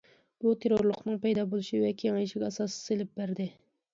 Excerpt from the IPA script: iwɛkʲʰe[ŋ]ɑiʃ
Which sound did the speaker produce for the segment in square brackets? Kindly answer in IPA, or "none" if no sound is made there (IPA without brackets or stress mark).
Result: ŋ